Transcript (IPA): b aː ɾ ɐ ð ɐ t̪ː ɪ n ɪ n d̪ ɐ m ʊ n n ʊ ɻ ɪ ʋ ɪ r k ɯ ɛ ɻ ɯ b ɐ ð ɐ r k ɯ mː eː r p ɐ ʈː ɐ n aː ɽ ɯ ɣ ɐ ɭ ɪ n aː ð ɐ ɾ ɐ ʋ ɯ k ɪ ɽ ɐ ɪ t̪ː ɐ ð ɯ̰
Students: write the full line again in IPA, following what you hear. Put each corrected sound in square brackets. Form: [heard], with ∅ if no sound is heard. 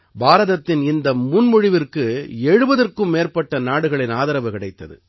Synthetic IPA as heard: b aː ɾ ɐ ð ɐ t̪ː ɪ n ɪ n d̪ ɐ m ʊ n [m] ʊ ɻ ɪ ʋ ɪ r k ɯ ɛ ɻ ɯ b ɐ ð ɐ r k ɯ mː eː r p ɐ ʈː ɐ n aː ɽ ɯ ɣ ɐ ɭ ɪ n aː ð ɐ ɾ ɐ ʋ ɯ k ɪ ɽ ɐ ɪ t̪ː ɐ ð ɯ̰